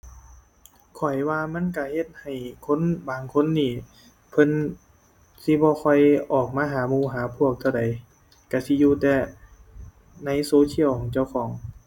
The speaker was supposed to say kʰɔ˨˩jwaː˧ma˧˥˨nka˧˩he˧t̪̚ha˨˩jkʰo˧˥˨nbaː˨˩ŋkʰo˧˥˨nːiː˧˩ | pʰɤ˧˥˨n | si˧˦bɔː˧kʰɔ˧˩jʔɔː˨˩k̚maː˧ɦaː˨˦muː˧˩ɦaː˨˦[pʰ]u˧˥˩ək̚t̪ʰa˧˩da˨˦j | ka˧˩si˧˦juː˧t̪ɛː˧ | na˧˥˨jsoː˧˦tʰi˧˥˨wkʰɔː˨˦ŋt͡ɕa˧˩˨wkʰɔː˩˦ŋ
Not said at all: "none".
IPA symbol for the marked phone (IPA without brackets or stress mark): pʰ